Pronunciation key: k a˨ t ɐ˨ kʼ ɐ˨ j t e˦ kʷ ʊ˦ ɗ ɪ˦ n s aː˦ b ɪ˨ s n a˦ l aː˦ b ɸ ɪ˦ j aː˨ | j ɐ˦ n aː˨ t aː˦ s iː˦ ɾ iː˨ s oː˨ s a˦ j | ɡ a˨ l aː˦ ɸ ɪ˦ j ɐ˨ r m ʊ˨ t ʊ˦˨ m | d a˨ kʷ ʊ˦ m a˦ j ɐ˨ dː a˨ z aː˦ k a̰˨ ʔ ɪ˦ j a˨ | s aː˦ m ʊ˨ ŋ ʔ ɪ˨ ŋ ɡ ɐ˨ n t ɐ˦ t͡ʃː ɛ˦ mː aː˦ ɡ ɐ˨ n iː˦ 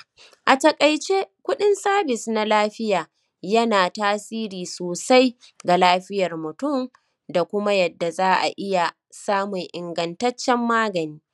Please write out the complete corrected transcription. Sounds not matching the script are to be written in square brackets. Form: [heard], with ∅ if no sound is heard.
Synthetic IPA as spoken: [ʔ] a˨ t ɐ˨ kʼ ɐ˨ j [t͡ʃ] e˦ kʷ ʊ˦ ɗ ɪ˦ n s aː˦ b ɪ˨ s n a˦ l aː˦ [∅] ɸ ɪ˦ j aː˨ | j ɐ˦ n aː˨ t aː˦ s iː˦ ɾ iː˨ s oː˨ s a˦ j | ɡ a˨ l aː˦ ɸ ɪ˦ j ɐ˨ r m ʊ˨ t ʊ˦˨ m | d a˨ kʷ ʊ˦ m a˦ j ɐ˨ dː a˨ z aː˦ [ʔ] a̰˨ ʔ ɪ˦ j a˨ | s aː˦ m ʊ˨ ŋ ʔ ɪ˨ ŋ ɡ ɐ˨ n t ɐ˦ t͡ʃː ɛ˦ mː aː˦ ɡ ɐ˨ n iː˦